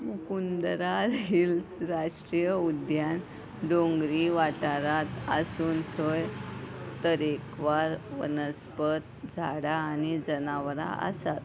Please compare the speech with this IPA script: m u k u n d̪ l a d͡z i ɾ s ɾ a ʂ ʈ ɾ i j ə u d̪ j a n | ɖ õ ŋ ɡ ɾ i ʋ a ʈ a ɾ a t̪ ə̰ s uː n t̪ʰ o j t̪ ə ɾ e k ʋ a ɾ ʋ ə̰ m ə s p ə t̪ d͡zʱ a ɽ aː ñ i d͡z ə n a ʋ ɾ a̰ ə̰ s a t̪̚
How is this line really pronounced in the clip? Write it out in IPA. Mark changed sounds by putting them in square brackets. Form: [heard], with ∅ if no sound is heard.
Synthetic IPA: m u k u n d̪ [ɾ] a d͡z i [l] s ɾ a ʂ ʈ ɾ i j ə u d̪ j a n | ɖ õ ŋ ɡ ɾ i ʋ a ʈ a ɾ a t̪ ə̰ s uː n t̪ʰ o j t̪ ə ɾ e k ʋ a ɾ ʋ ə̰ [n] ə s p ə t̪ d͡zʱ a ɽ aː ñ i d͡z ə n a ʋ ɾ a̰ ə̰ s a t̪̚